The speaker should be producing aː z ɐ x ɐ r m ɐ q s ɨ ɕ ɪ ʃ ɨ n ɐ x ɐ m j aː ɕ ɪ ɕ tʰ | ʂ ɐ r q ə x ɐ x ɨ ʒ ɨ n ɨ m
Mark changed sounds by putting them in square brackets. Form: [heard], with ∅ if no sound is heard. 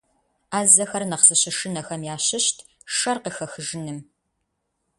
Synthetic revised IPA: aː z ɐ x ɐ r [n] ɐ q s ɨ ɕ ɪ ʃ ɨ n ɐ x ɐ m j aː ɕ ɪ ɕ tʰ | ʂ ɐ r q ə x ɐ x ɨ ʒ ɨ n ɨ m

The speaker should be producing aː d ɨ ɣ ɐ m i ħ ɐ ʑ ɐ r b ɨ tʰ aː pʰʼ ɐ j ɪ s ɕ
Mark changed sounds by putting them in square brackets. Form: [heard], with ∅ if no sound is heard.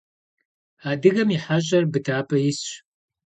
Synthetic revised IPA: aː d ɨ ɣ ɐ m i ħ [a] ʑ ɐ r b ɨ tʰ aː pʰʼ ɐ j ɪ s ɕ

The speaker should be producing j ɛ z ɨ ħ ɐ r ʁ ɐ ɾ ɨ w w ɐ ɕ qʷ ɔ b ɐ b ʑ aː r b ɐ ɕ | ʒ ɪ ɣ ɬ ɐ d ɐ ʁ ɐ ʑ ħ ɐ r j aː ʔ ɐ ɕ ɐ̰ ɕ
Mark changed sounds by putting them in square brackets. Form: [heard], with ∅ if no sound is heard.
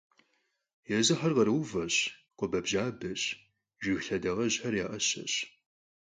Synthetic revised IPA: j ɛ z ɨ ħ ɐ r ʁ ɐ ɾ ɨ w [v] ɐ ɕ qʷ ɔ b ɐ b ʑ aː [∅] b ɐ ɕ | ʒ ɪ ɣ ɬ ɐ d ɐ ʁ ɐ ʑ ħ ɐ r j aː ʔ ɐ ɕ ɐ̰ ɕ

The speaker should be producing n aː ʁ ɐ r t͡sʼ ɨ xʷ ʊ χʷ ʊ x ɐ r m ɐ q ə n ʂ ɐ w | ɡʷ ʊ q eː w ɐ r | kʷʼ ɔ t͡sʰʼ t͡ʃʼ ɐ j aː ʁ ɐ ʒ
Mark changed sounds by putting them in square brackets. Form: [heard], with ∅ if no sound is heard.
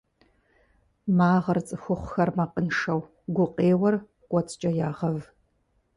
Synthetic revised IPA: [m] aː ʁ ɐ r t͡sʼ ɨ xʷ ʊ χʷ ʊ x ɐ r m ɐ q ə n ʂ ɐ w | ɡʷ ʊ q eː w ɐ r | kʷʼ ɔ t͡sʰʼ t͡ʃʼ ɐ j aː ʁ ɐ [v]

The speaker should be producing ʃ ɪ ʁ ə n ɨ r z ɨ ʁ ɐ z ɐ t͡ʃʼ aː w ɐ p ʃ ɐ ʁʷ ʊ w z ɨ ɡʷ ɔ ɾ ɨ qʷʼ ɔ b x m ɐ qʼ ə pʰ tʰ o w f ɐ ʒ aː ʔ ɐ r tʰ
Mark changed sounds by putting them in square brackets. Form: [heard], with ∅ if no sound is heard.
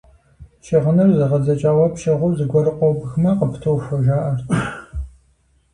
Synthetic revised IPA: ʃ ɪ ʁ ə n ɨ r z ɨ ʁ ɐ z ɐ t͡ʃʼ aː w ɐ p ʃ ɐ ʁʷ ʊ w z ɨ ɡʷ ɔ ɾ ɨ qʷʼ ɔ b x m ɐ [q] ə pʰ tʰ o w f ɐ ʒ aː ʔ ɐ r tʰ

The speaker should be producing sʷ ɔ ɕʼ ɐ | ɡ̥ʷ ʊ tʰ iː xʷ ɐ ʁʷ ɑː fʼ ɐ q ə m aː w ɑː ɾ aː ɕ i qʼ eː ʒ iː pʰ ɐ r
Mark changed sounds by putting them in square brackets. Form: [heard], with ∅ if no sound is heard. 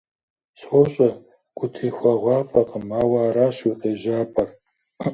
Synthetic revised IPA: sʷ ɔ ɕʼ ɐ | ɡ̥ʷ ʊ tʰ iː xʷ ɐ ʁʷ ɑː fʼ ɐ q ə m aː w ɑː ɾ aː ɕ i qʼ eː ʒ [aː] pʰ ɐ r

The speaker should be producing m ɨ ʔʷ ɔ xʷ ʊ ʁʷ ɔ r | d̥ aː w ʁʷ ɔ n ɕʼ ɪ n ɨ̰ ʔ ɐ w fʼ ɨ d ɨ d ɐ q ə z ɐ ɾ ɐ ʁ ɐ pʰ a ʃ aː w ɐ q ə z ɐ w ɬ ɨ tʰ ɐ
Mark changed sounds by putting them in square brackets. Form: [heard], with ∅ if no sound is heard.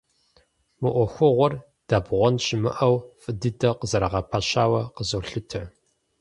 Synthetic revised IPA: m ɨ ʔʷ ɔ xʷ ʊ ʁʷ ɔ r | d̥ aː [b] ʁʷ ɔ n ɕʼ ɪ [m] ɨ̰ ʔ ɐ w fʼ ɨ d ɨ d ɐ q ə z ɐ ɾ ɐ ʁ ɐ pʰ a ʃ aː w ɐ q ə z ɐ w ɬ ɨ tʰ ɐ

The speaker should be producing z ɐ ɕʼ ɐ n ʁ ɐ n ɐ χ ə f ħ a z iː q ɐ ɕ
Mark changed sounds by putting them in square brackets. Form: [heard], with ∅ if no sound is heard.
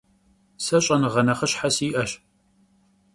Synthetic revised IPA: [s] ɐ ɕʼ ɐ n ʁ ɐ n ɐ χ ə [ɕ] ħ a [s] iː [ʔ] ɐ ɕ

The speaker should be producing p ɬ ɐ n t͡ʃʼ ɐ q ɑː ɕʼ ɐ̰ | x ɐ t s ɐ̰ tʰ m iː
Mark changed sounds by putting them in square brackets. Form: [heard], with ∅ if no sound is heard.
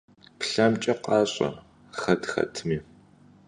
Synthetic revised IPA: p ɬ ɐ [m] t͡ʃʼ ɐ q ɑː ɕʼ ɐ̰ | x ɐ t [x] ɐ̰ tʰ m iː

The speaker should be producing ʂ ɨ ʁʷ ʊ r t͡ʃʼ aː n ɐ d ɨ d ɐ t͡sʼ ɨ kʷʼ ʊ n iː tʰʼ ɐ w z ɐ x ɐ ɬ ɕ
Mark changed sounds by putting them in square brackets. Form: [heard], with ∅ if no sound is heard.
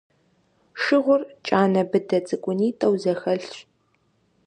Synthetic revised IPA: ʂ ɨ ʁʷ ʊ r t͡ʃʼ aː n ɐ [b] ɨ d ɐ t͡sʼ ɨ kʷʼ ʊ n iː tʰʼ ɐ w z ɐ x ɐ ɬ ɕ

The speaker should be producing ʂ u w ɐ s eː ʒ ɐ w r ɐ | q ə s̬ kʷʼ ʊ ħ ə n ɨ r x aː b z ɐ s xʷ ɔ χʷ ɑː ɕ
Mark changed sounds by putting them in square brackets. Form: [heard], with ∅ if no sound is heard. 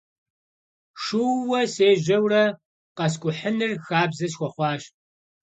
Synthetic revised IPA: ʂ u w ɐ s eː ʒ ɐ w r ɐ | q [ɐ] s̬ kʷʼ ʊ ħ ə n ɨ r x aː b z ɐ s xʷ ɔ χʷ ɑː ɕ

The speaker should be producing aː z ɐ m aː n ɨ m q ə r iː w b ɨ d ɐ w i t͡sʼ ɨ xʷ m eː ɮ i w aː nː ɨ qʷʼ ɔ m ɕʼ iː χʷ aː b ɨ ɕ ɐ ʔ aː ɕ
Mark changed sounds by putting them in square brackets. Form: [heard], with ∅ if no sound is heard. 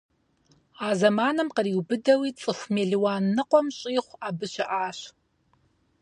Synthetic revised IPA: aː z ɐ m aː n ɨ m q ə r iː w b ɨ d ɐ w i t͡sʼ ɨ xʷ m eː ɮ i w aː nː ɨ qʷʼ ɔ m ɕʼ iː χʷ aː b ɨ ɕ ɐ ʔ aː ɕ

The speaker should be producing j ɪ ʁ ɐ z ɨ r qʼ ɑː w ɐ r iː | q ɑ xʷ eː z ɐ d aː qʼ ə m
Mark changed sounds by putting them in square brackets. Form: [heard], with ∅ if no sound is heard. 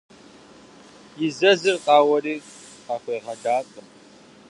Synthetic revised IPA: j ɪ [z] ɐ z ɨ r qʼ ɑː w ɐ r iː | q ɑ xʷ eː [ʁ] ɐ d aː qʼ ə m

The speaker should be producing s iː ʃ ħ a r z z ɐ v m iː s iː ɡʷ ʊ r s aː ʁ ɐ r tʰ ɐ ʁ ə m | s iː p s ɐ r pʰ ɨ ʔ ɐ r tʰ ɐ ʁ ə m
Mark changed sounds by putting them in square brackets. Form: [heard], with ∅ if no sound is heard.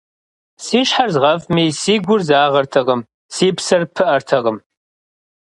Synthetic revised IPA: s iː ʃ ħ a r z [ʁ] ɐ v m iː s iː ɡʷ ʊ r [z] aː ʁ ɐ r tʰ ɐ ʁ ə m | s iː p s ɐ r pʰ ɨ ʔ ɐ r tʰ ɐ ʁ ə m

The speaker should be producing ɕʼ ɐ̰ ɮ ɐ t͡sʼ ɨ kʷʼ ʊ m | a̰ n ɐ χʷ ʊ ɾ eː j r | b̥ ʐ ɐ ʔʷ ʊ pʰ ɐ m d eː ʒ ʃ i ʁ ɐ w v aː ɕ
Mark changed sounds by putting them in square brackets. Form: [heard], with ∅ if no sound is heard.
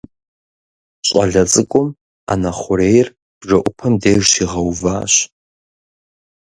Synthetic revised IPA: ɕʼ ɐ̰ ɮ ɐ t͡sʼ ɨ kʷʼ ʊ m | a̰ n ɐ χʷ ʊ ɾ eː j r | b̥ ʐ ɐ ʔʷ ʊ pʰ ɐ m d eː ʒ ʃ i ʁ ɐ w v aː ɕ

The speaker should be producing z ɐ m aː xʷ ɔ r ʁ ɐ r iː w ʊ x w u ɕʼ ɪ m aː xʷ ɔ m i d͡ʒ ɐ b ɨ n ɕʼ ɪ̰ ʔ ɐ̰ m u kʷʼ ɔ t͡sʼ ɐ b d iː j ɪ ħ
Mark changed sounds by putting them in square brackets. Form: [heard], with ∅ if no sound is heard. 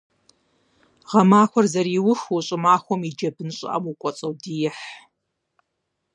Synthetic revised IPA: [ʁ] ɐ m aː xʷ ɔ r [z] ɐ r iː w ʊ x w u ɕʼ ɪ m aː xʷ ɔ m i d͡ʒ ɐ b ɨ n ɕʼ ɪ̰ ʔ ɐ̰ m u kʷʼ ɔ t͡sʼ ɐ [w] d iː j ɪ ħ

